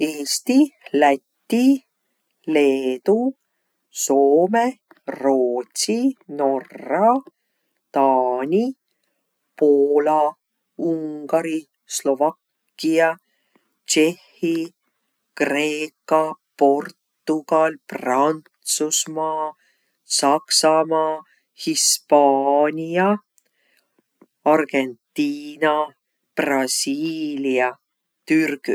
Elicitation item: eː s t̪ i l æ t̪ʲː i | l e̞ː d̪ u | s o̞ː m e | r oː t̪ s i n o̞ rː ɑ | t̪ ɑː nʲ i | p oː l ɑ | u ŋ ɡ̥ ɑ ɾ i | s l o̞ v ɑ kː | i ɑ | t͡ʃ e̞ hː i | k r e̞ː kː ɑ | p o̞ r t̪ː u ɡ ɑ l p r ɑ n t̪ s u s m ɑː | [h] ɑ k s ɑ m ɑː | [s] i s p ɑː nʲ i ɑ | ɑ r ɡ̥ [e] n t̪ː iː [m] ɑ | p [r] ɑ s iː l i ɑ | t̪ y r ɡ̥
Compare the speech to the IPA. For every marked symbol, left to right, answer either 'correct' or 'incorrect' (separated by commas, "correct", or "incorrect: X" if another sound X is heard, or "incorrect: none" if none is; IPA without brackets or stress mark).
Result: incorrect: s, incorrect: h, correct, incorrect: n, correct